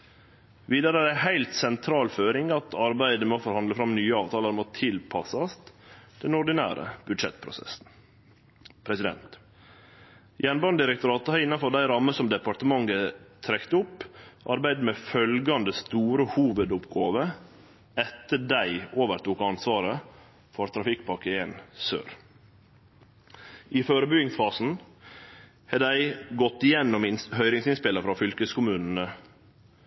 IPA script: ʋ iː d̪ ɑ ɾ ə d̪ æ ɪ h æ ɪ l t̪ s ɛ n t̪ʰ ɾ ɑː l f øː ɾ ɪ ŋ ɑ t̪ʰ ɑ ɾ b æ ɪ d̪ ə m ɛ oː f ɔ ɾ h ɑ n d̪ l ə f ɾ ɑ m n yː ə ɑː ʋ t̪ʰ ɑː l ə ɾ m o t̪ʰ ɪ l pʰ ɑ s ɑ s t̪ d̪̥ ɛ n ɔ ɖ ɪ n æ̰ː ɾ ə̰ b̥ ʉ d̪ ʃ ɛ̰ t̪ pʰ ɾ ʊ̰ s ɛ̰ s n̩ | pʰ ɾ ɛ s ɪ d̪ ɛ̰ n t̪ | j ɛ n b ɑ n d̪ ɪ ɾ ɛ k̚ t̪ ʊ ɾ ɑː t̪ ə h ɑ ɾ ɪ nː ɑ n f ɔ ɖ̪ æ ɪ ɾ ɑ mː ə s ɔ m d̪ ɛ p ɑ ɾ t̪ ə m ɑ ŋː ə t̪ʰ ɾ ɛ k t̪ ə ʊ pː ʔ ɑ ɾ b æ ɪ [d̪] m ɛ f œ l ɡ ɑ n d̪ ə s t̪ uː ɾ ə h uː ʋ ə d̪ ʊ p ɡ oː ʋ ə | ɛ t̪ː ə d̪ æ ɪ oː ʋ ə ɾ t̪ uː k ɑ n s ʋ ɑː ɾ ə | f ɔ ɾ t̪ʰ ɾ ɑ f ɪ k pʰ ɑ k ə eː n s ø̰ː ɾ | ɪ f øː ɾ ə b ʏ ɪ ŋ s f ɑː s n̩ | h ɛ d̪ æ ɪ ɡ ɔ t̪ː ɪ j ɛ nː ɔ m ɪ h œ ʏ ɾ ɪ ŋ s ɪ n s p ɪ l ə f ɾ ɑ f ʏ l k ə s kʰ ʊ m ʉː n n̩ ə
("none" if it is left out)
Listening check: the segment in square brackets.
d̪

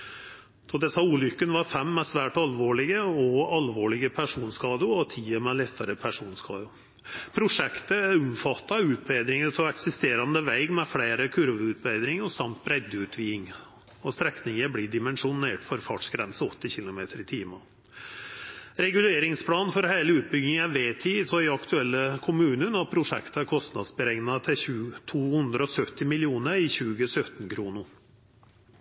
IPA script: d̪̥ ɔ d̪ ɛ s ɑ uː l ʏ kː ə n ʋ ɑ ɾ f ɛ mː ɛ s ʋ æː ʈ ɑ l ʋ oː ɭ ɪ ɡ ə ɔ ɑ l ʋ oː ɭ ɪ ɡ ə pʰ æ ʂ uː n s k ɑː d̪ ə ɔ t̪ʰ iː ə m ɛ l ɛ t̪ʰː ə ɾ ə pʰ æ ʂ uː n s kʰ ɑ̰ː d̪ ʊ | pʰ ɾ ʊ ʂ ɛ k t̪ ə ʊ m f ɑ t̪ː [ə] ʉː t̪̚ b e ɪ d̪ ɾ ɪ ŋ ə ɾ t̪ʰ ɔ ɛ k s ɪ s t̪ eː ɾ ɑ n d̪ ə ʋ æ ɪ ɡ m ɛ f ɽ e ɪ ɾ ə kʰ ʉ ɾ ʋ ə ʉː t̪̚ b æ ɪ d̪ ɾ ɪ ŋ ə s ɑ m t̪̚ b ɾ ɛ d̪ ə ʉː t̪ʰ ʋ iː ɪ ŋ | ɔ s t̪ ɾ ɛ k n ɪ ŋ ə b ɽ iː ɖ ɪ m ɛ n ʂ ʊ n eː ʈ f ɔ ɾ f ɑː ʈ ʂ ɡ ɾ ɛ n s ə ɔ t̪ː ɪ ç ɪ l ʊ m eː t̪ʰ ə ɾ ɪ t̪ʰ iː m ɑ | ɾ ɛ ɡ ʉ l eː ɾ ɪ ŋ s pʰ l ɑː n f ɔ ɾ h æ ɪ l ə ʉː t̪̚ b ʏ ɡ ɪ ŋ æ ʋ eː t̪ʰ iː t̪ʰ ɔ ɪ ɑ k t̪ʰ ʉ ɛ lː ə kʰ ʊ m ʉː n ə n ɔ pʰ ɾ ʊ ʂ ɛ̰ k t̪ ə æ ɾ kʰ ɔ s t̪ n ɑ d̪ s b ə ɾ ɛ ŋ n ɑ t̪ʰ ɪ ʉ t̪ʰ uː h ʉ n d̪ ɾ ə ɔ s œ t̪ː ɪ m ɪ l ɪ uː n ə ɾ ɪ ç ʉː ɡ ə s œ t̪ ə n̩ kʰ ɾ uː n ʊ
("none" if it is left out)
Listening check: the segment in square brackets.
ɑ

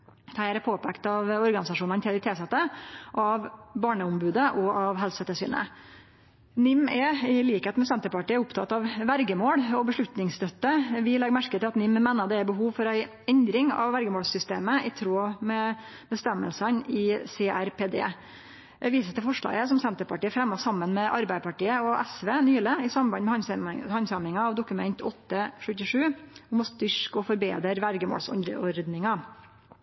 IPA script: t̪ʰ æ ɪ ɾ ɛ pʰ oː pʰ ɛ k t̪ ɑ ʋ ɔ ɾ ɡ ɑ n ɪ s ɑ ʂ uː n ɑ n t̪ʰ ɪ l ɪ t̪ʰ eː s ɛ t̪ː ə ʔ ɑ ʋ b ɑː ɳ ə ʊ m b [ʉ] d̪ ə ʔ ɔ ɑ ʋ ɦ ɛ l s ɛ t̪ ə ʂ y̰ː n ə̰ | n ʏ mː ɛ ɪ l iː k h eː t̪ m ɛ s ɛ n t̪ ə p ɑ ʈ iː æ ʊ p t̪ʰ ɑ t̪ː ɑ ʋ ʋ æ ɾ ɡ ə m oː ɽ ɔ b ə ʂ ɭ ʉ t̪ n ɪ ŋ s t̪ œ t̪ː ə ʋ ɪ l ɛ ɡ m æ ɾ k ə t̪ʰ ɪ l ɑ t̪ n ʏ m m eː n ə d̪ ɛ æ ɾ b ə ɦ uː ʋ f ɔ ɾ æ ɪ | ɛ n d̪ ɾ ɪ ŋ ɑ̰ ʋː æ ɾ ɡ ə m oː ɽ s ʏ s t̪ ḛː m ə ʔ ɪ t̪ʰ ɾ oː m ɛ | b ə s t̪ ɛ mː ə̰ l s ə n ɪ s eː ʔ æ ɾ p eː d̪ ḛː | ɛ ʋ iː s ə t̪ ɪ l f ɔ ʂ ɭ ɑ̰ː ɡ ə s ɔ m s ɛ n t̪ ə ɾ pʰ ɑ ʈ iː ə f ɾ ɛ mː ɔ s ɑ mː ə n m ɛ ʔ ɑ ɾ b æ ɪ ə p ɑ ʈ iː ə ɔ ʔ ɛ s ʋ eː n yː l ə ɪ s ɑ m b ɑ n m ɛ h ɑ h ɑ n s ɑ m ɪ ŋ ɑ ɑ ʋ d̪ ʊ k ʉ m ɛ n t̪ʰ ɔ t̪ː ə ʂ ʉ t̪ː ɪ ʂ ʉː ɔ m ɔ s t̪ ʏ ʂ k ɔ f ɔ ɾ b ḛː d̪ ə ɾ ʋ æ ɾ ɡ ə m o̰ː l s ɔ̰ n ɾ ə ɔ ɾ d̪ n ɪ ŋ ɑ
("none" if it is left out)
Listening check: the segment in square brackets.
ʉː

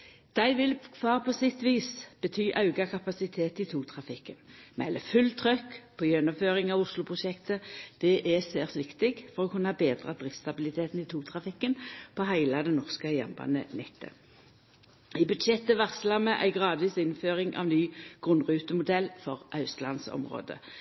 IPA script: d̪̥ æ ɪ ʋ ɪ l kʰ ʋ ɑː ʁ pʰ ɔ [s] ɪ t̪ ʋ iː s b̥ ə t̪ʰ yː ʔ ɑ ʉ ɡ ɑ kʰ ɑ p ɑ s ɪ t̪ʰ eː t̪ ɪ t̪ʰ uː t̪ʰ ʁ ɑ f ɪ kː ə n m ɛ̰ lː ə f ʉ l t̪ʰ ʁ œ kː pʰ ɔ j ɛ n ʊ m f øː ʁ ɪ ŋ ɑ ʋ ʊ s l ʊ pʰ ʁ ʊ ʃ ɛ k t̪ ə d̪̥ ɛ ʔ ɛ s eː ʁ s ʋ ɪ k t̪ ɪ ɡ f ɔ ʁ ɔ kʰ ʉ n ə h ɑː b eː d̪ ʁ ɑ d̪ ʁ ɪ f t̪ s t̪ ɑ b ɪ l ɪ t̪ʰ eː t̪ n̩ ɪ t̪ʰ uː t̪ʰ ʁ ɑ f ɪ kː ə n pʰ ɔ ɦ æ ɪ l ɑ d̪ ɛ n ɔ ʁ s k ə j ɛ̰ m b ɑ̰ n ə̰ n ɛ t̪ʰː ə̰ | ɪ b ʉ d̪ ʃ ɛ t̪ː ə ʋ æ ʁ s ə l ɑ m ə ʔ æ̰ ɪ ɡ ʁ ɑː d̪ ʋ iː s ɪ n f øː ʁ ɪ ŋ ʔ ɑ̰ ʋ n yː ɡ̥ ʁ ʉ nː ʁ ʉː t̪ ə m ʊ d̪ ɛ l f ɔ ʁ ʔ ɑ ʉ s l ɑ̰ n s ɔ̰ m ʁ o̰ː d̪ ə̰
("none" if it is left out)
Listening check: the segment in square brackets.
s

